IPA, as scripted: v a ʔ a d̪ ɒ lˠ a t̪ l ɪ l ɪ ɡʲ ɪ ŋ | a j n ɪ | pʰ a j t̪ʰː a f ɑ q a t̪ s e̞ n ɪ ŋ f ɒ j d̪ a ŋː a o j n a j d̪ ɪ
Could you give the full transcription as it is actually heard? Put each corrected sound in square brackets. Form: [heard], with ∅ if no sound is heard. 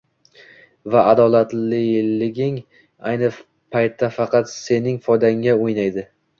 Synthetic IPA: v a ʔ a d̪ ɒ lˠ a t̪ l ɪ l ɪ ɡʲ ɪ ŋ | a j n ɪ | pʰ a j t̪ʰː a f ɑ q [ɑ] t̪ s e̞ n ɪ ŋ f ɒ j d̪ a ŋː a o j n a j d̪ ɪ